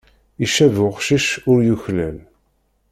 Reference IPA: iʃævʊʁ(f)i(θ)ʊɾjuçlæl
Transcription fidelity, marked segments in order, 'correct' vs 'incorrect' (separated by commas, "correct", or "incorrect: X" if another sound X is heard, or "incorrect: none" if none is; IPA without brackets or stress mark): incorrect: ʃ, incorrect: ʃ